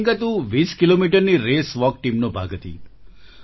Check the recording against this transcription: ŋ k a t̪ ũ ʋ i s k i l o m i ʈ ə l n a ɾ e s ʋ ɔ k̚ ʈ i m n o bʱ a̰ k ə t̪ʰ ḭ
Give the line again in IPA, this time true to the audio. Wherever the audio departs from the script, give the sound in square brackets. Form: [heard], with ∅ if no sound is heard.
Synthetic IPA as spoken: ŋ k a t̪ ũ ʋ i s k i l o m i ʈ ə [ɾ] n [i] ɾ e s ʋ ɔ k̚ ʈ i m n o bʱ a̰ [ɡ] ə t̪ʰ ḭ